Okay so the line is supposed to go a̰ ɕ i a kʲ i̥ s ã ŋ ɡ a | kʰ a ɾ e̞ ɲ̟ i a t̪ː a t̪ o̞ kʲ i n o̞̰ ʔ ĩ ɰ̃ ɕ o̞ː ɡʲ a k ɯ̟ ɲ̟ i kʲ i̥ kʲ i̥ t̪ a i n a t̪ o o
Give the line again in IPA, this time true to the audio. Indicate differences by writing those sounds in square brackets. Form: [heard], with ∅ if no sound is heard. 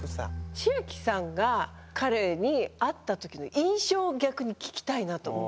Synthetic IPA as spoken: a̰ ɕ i a kʲ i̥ s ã ŋ ɡ a | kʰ a ɾ e̞ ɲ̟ i a t̪ː a t̪ o̞ kʲ i n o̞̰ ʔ ĩ ɰ̃ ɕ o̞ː ɡʲ a k ɯ̟ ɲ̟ i kʲ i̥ kʲ i̥ t̪ a i n a t̪ o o